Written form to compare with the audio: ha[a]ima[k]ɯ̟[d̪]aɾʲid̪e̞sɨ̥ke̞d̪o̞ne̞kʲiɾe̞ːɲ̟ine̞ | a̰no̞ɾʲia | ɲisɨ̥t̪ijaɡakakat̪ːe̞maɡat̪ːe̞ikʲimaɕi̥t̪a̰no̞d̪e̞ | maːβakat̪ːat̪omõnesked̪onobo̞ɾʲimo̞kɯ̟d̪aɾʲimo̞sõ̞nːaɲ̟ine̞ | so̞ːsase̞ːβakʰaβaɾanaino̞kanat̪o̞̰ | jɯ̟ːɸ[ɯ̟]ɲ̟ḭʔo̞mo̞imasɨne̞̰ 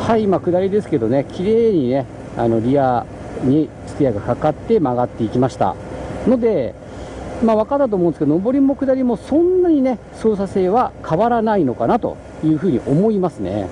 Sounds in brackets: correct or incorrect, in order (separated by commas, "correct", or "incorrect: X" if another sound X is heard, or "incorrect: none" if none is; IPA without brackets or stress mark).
incorrect: i, correct, correct, incorrect: ɯ̟ː